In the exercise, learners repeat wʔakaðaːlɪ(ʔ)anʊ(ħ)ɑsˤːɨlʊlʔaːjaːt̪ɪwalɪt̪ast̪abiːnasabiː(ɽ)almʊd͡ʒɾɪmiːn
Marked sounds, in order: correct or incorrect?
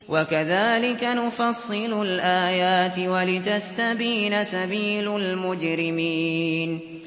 incorrect: k, incorrect: f, incorrect: l

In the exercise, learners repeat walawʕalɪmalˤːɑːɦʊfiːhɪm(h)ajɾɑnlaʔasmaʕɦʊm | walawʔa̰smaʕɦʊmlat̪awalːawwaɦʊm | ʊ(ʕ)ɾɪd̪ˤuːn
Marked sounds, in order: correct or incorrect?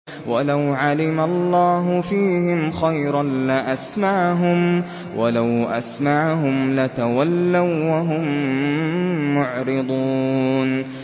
incorrect: x, correct

